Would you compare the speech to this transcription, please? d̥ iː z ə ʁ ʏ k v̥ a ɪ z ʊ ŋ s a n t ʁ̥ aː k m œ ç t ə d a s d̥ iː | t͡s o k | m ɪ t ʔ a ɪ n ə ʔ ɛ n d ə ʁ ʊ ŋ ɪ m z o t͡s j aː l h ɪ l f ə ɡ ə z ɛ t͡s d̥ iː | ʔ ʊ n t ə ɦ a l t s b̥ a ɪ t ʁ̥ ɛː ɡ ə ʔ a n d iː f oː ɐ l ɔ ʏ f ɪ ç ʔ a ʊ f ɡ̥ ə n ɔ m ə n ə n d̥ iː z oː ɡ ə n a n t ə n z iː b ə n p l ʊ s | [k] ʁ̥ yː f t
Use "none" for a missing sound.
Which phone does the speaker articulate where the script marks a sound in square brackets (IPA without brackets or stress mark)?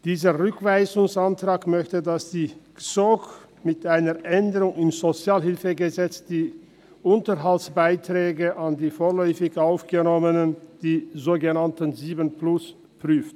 p